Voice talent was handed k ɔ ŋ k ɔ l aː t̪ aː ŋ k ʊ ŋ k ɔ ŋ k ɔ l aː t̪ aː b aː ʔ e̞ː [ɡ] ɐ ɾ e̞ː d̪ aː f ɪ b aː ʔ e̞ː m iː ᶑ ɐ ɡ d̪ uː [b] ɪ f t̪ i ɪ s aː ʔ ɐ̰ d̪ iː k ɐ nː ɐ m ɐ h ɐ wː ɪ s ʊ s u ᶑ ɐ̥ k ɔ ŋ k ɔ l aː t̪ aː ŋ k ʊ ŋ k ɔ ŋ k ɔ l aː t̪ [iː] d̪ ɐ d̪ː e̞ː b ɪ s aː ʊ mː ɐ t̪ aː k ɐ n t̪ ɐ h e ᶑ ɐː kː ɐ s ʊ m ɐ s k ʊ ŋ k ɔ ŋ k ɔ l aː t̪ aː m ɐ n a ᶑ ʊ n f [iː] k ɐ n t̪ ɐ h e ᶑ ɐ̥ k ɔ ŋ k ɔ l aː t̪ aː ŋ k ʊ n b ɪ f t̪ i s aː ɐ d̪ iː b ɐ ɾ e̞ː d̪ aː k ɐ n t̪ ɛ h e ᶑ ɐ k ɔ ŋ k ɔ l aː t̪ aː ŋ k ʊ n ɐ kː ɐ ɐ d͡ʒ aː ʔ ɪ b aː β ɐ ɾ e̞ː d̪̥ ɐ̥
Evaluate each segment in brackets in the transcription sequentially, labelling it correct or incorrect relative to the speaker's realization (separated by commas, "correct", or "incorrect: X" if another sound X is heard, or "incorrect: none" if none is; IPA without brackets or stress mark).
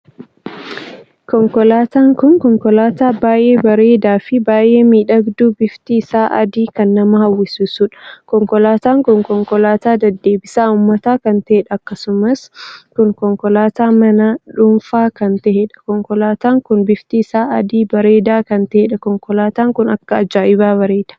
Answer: incorrect: b, correct, incorrect: aː, incorrect: aː